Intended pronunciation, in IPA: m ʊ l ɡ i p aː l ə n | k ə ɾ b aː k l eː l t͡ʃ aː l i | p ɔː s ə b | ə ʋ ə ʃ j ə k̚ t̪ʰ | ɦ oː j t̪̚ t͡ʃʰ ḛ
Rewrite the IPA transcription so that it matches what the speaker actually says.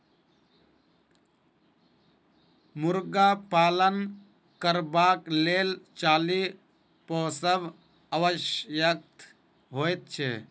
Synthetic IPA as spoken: m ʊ ɾ ɡ a p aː l ə n | k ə ɾ b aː k l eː l t͡ʃ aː l i | p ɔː s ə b | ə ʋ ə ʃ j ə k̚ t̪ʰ | ɦ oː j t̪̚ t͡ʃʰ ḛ